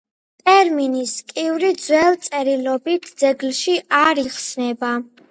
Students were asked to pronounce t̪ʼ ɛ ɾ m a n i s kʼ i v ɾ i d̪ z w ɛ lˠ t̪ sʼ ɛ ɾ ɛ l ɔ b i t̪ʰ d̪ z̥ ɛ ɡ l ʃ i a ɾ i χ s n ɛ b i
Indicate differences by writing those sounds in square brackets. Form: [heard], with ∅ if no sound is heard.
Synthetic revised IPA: t̪ʼ ɛ ɾ m [i] n i s kʼ i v ɾ i d̪ z w ɛ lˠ t̪ sʼ ɛ ɾ [i] l ɔ b i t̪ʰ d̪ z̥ ɛ ɡ l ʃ i a ɾ i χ s n ɛ b [a]